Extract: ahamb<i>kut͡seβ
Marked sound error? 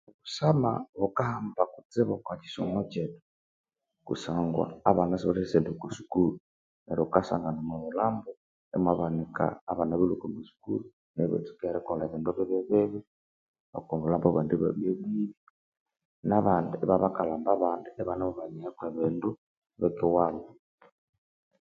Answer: yes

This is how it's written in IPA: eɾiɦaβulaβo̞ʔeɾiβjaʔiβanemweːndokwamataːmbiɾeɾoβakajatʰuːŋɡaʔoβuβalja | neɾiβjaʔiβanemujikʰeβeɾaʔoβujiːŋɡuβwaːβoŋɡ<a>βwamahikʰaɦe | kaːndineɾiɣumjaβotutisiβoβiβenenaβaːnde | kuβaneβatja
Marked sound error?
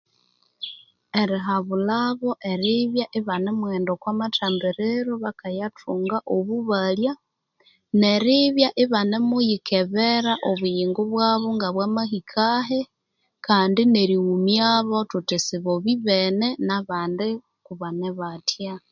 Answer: no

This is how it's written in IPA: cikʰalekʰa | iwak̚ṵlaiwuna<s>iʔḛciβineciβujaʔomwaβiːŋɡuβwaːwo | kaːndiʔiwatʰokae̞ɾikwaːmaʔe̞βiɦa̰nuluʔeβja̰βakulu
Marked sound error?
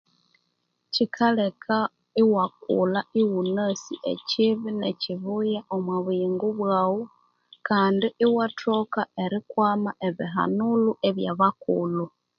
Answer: no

